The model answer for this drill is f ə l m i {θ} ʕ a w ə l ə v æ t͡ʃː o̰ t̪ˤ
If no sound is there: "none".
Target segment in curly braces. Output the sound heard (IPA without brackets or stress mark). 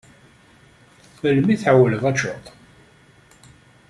θ